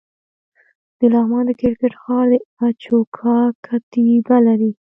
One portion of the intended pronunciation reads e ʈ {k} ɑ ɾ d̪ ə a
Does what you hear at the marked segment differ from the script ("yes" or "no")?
yes